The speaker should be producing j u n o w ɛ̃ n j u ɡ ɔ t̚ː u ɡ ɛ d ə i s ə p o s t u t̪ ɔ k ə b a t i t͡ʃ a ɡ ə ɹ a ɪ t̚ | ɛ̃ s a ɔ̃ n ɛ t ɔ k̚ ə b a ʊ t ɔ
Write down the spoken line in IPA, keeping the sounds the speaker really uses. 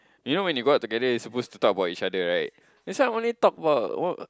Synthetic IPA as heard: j u n o w ɛ̃ n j u ɡ ɔ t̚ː u ɡ ɛ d ə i s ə p o s t u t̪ ɔ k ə b a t i t͡ʃ a d ə ɹ a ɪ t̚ | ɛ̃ s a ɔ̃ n i t ɔ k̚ ə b a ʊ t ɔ